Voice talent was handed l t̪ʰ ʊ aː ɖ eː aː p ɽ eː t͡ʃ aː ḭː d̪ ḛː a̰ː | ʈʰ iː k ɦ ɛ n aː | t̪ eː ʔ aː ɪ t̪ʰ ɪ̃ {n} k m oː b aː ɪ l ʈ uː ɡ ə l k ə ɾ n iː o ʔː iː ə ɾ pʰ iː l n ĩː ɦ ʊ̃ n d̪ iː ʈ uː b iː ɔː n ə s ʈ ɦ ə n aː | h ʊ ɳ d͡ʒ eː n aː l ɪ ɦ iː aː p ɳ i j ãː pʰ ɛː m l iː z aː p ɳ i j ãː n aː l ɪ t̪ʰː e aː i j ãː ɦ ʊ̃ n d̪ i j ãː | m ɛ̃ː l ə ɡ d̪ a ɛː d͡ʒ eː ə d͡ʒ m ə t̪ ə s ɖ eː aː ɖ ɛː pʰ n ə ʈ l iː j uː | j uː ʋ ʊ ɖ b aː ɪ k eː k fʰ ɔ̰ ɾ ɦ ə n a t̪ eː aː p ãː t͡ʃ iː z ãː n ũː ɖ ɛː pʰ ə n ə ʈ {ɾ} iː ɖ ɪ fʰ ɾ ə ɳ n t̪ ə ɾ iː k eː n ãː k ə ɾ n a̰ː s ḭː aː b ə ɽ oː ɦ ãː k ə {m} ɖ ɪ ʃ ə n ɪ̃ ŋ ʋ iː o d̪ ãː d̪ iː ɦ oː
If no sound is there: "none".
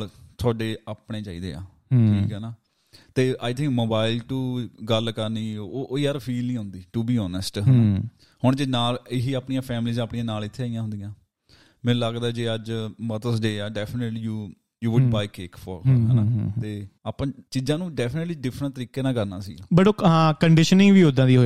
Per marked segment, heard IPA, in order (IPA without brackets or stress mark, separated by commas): ŋ, l, ɳ